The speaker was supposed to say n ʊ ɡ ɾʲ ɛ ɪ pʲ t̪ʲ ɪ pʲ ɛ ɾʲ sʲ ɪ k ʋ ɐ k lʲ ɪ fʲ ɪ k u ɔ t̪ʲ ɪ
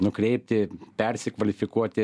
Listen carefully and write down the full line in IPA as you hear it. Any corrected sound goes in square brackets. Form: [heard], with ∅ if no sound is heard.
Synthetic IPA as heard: n ʊ [k] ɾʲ ɛ ɪ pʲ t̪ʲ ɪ pʲ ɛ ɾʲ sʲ ɪ k ʋ ɐ [∅] lʲ ɪ fʲ ɪ k u ɔ t̪ʲ ɪ